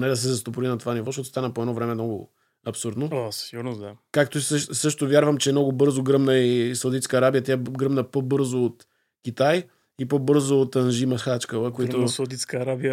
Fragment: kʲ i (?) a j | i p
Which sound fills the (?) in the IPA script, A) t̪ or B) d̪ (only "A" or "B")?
A